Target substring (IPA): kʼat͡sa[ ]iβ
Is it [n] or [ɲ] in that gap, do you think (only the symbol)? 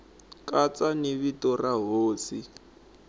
n